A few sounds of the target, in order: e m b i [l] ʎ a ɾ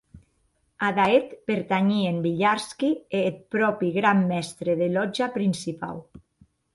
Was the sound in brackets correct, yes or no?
no